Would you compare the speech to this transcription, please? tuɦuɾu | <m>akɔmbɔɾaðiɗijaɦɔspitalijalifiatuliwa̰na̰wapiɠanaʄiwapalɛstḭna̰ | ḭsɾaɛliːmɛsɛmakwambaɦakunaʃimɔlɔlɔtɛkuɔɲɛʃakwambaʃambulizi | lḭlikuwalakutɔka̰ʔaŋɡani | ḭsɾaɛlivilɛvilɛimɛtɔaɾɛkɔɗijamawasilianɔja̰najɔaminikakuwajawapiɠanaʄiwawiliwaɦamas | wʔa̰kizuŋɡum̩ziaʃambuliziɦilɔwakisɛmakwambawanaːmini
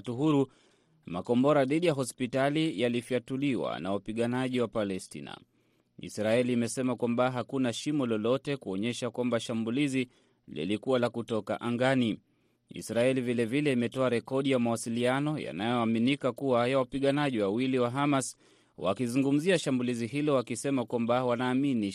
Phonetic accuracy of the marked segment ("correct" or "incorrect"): correct